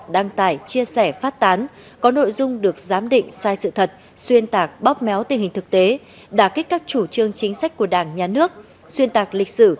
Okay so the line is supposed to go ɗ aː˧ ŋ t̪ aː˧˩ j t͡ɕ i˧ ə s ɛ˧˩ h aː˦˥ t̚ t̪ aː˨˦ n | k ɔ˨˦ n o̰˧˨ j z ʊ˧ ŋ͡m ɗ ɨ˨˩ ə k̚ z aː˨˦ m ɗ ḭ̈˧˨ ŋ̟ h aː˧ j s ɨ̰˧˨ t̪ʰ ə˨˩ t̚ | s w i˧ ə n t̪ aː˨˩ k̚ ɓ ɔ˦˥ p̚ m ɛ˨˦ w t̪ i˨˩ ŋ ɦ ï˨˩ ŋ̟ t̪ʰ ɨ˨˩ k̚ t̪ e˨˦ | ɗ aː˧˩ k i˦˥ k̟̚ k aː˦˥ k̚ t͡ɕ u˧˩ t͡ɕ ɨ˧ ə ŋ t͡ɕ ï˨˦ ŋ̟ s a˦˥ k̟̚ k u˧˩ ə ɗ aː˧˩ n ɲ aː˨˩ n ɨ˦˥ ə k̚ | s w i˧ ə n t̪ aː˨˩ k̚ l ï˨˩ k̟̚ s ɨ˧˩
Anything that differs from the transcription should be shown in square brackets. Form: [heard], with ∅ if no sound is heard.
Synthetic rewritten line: ɗ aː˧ ŋ t̪ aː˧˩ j t͡ɕ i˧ ə s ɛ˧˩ [f] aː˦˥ t̚ t̪ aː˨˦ n | k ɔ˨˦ n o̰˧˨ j z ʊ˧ ŋ͡m ɗ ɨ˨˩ ə k̚ z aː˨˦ m ɗ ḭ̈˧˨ ŋ̟ [s] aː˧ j s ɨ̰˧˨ t̪ʰ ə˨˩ t̚ | s w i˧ ə n t̪ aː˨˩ k̚ ɓ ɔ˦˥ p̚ m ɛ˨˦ w t̪ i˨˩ ŋ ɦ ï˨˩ ŋ̟ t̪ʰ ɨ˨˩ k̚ t̪ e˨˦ | ɗ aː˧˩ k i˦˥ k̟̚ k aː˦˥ k̚ t͡ɕ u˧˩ t͡ɕ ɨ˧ ə ŋ t͡ɕ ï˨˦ ŋ̟ s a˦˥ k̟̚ k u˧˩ ə ɗ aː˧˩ [ŋ] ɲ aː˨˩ n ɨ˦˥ ə k̚ | s w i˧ ə n t̪ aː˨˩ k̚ l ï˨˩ k̟̚ s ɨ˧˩